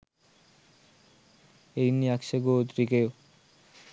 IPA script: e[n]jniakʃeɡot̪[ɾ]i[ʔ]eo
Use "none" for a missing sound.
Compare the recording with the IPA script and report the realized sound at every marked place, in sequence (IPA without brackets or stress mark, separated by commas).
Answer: none, ɾ, k